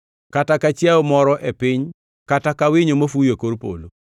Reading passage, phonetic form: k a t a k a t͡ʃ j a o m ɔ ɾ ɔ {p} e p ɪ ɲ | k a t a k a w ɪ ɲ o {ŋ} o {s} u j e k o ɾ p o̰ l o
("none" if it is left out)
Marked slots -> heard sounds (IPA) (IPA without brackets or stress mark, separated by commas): ʔ, m, f